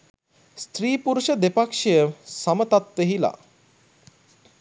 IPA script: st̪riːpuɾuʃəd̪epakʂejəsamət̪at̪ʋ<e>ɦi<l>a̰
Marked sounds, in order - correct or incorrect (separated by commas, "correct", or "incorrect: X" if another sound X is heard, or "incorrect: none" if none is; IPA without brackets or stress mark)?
correct, correct